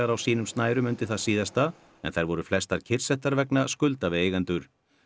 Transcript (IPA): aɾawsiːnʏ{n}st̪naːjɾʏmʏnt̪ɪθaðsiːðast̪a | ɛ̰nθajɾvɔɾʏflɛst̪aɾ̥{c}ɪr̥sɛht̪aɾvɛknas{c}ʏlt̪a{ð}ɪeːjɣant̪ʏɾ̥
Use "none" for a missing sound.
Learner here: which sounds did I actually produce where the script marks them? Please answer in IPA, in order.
m, cʰ, k, v

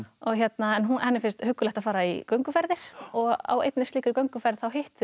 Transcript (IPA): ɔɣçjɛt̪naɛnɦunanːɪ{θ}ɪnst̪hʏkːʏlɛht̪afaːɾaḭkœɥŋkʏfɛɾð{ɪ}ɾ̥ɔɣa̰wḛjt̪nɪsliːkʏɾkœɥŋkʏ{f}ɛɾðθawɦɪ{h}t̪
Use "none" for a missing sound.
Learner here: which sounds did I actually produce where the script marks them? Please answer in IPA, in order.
f, ɪ, f, h

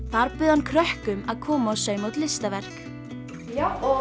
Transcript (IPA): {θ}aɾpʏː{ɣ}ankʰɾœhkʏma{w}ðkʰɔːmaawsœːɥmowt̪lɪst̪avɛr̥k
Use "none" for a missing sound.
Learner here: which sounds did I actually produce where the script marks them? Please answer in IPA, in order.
θ, ð, none

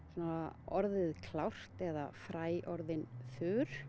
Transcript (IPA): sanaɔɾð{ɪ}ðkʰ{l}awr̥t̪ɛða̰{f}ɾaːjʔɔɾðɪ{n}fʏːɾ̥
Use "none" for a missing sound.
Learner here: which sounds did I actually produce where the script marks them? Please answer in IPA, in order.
ɪ, l, f, n

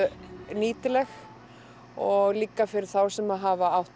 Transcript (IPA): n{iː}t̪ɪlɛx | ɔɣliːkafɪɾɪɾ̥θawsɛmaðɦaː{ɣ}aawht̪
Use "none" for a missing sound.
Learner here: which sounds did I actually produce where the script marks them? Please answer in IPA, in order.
iː, v

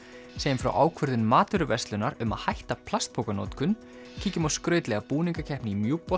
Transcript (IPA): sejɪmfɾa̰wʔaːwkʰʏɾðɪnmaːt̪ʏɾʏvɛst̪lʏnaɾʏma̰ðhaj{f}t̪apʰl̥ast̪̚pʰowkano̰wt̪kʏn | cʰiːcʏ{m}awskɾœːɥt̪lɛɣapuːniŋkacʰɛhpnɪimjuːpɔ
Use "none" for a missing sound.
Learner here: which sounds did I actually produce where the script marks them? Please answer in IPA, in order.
h, m

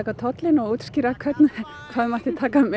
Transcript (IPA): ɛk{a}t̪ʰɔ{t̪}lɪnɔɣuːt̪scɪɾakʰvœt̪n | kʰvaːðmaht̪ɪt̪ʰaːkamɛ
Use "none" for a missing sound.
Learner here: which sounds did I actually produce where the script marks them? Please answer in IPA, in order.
a, t̪

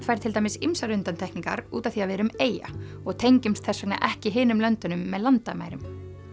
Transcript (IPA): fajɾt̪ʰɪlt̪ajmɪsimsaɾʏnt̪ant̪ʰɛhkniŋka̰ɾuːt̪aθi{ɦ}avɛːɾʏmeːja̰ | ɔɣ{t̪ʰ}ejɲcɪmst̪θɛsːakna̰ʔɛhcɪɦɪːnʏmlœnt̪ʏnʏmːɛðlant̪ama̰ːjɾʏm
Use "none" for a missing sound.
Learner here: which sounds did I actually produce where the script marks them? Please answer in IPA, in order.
none, t̪ʰ

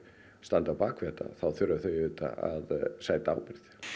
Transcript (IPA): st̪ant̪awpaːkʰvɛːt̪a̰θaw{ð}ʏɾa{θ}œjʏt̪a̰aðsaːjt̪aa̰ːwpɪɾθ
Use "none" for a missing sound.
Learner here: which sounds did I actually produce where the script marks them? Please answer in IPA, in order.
θ, θ

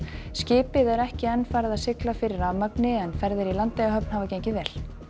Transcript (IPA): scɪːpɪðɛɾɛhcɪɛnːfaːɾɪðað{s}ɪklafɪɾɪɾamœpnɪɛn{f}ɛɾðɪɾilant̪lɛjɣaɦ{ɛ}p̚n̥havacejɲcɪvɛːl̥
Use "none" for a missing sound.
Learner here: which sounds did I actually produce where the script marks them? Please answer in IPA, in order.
s, f, œ

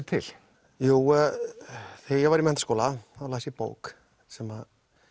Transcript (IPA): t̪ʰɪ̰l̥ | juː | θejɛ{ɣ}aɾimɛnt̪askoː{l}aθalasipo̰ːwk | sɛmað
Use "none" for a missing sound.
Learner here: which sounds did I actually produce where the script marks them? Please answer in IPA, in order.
v, l

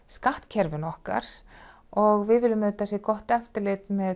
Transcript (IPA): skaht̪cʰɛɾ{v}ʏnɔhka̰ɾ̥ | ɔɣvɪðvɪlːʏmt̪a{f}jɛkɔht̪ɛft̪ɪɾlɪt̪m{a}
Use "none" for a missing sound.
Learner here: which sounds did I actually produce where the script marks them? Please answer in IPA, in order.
v, s, ɛ

